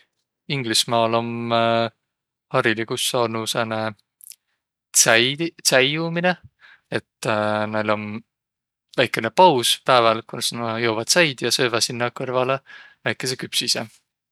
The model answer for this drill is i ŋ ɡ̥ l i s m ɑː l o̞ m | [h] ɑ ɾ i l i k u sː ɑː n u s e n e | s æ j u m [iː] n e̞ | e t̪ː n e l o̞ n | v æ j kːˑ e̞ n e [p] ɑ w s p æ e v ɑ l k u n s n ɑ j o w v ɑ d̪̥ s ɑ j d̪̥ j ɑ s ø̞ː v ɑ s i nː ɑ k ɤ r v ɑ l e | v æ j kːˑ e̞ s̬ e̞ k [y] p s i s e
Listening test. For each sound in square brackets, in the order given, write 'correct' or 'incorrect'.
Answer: correct, incorrect: i, correct, correct

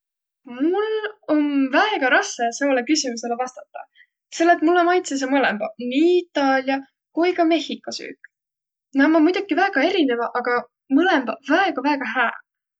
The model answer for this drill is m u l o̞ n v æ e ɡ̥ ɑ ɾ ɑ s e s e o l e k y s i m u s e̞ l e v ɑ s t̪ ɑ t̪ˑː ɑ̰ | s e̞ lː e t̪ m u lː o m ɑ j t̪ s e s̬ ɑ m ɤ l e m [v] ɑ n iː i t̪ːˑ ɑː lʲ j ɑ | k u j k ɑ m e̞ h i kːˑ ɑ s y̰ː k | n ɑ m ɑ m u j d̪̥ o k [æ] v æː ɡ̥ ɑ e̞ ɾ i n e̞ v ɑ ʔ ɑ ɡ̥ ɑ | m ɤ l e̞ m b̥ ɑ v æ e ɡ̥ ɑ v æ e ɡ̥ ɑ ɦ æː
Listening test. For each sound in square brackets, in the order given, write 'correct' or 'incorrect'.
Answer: incorrect: b, incorrect: i

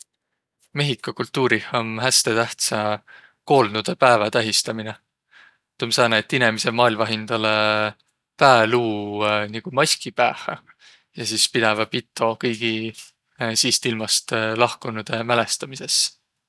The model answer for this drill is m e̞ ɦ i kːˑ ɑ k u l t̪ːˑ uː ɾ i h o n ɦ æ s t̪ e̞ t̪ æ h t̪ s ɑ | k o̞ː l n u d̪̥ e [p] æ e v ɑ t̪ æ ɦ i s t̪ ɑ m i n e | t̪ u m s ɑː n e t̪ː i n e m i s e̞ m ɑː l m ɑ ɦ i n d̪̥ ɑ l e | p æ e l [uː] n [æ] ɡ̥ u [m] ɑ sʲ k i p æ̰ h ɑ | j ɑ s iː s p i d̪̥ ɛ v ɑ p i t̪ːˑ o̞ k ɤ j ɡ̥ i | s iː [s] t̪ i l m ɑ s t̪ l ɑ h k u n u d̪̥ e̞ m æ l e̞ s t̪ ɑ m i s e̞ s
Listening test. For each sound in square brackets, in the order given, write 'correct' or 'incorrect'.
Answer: correct, correct, incorrect: i, correct, correct

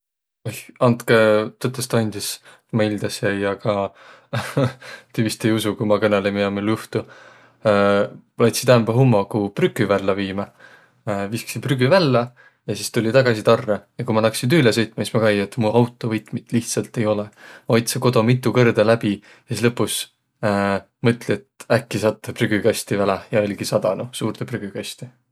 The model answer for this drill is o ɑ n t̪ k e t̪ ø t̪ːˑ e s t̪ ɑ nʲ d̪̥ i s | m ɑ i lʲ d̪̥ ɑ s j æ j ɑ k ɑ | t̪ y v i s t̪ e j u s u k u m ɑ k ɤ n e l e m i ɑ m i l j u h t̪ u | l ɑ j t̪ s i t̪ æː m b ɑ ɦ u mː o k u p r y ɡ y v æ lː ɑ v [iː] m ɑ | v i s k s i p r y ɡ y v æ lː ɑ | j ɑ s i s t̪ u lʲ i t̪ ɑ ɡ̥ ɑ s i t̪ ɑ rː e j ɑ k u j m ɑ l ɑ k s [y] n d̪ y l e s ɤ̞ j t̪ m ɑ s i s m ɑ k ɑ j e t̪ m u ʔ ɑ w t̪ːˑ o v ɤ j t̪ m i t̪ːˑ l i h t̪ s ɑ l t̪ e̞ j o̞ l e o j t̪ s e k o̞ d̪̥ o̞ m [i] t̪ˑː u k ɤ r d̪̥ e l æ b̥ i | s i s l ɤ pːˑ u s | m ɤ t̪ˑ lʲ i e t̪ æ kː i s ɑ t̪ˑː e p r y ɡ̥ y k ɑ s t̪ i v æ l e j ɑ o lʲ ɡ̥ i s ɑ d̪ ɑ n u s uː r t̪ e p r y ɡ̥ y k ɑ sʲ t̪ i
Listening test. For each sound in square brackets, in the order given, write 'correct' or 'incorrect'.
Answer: correct, incorrect: i, correct

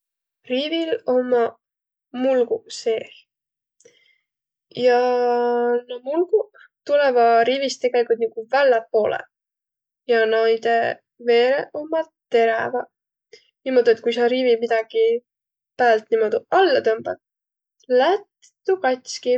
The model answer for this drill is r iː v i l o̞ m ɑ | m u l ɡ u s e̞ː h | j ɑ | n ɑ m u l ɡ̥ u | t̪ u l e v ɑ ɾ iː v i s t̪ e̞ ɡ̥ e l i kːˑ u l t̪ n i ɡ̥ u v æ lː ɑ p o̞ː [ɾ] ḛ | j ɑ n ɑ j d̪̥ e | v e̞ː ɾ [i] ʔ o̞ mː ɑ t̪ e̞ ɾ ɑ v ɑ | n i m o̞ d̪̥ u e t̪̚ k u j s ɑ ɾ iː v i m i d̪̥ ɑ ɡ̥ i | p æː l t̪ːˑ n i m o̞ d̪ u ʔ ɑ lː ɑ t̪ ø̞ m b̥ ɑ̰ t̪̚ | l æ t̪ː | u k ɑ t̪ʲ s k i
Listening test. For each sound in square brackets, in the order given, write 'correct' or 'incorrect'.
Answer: incorrect: l, incorrect: e

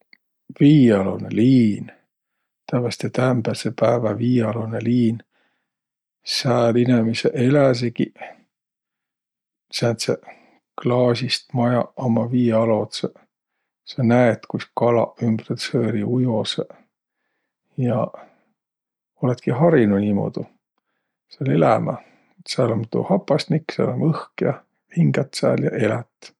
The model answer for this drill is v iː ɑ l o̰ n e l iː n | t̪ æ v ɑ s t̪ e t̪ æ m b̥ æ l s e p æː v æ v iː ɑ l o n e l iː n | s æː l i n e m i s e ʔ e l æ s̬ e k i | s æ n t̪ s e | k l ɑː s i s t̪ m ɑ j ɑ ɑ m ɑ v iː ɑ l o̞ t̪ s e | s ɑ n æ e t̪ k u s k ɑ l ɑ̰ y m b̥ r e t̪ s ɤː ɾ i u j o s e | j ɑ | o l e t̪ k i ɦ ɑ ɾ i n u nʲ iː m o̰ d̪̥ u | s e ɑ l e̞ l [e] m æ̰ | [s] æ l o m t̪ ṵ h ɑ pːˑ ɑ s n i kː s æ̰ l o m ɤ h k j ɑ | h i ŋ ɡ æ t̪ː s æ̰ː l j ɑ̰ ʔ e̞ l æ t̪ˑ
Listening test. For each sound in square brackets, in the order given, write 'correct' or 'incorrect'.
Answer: incorrect: æ, correct

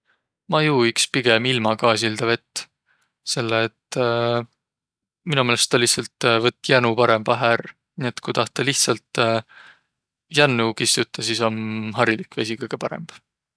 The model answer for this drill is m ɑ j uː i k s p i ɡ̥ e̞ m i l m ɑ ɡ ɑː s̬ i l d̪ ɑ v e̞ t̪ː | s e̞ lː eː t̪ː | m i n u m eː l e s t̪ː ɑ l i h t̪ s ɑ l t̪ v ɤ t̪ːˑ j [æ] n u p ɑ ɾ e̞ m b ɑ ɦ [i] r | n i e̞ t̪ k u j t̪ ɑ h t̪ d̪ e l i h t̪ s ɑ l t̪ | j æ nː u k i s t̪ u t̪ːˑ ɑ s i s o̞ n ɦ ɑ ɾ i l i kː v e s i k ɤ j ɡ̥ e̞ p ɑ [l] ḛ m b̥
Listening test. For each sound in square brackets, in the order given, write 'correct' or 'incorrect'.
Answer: correct, incorrect: æ, incorrect: ɾ

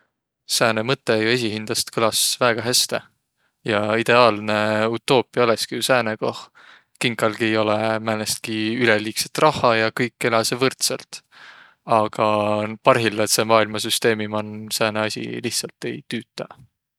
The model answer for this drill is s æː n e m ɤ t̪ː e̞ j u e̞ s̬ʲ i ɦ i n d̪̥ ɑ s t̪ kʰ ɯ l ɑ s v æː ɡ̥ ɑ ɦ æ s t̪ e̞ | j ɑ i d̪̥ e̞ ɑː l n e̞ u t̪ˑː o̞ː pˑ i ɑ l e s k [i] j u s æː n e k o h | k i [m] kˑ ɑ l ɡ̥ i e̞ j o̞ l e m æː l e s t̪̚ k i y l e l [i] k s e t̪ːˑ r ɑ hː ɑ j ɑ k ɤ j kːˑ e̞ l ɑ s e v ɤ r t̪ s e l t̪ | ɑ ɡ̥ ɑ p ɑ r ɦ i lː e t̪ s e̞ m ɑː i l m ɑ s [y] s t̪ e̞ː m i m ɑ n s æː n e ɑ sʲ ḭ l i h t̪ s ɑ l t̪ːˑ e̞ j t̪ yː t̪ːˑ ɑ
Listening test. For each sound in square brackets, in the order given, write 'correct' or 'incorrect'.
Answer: correct, incorrect: ŋ, incorrect: iː, correct

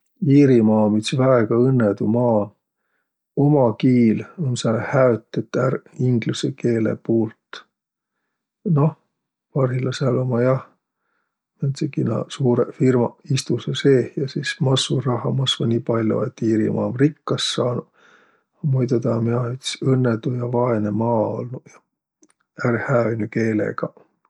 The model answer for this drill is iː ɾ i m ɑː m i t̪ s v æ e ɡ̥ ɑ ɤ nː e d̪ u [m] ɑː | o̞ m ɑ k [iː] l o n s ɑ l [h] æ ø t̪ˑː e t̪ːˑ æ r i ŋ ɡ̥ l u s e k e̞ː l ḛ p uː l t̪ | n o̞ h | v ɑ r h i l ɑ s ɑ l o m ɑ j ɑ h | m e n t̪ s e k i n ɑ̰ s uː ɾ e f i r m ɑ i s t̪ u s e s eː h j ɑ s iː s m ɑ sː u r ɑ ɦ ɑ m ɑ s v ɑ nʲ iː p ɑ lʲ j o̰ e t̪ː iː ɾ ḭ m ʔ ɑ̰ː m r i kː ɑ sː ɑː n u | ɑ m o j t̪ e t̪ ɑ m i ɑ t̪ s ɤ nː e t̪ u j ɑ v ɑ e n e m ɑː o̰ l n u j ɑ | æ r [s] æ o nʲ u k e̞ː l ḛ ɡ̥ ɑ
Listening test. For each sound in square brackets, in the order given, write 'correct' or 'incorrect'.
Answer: correct, correct, correct, incorrect: h

